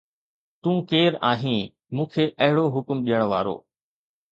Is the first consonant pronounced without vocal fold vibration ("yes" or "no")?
yes